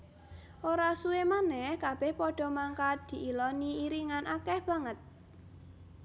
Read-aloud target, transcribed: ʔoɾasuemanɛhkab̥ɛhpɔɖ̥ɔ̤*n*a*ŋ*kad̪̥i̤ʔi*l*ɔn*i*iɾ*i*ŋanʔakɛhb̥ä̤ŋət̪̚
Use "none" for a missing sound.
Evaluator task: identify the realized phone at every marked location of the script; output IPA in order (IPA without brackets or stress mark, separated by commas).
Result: m, ŋ, l, i, i